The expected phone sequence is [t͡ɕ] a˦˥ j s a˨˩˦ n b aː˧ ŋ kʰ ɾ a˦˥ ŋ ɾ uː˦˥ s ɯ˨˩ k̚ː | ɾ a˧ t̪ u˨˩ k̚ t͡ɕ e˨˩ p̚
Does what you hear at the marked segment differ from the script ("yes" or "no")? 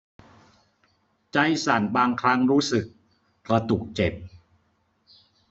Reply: no